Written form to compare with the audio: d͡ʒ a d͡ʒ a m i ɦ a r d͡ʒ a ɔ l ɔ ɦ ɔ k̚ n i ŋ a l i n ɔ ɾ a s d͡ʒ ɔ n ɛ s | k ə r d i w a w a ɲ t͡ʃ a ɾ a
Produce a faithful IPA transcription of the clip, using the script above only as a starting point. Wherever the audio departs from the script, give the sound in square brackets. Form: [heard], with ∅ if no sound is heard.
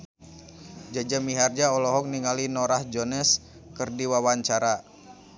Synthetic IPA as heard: d͡ʒ a d͡ʒ a m i ɦ a r d͡ʒ a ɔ l ɔ ɦ ɔ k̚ n i ŋ a l i n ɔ ɾ a [h] d͡ʒ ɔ n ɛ s | k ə r d i w a w a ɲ t͡ʃ a ɾ a